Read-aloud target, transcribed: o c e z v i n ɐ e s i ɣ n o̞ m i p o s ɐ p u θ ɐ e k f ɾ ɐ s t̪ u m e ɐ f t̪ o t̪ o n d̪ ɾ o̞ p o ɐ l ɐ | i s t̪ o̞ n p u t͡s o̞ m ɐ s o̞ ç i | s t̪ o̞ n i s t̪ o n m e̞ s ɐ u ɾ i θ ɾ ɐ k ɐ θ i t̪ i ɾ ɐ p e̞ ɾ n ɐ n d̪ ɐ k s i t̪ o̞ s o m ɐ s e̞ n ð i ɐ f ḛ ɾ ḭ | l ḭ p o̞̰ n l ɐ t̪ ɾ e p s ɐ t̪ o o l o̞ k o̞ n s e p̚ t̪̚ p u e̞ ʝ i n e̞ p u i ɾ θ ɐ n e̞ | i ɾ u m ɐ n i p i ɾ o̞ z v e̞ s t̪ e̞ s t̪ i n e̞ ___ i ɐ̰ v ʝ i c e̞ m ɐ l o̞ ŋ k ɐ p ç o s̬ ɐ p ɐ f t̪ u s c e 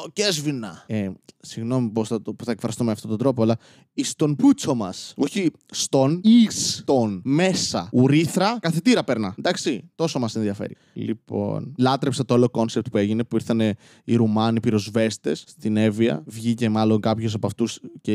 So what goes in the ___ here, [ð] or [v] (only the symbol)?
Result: v